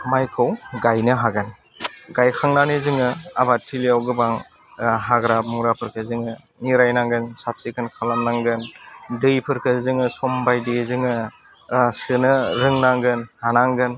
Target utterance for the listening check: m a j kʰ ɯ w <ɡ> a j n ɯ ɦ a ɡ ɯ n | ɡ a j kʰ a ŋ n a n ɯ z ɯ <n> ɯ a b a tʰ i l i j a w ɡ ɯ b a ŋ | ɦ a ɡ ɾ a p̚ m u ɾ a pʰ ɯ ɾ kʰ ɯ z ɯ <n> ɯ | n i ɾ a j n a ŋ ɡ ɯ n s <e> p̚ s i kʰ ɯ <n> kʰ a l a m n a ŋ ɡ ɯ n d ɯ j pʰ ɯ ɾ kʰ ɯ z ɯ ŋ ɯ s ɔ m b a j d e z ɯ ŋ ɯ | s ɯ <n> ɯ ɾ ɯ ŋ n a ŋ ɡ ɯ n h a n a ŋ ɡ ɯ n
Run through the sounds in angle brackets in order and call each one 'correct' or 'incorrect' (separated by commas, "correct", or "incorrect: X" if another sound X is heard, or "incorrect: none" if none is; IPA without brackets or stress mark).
correct, incorrect: ŋ, incorrect: ŋ, incorrect: a, correct, correct